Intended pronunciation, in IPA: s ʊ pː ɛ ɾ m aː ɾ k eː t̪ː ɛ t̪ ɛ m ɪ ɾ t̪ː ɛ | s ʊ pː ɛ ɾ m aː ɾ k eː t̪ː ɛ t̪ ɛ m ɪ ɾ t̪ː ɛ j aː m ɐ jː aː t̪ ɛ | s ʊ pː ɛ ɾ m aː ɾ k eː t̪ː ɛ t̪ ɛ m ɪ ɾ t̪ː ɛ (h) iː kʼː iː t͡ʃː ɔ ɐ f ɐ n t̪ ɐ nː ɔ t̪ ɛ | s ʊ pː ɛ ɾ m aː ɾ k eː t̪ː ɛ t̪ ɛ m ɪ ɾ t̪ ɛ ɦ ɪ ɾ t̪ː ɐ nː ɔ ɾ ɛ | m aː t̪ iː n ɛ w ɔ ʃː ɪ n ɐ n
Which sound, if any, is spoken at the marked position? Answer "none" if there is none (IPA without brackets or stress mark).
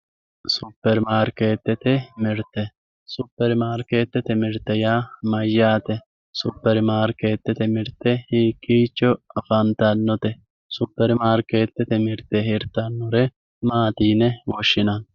h